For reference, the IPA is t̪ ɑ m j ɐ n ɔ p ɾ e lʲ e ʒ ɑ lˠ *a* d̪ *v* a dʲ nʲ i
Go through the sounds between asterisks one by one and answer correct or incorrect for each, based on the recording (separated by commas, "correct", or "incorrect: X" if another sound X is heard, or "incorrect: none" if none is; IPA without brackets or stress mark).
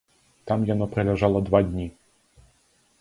incorrect: ɐ, incorrect: ʋ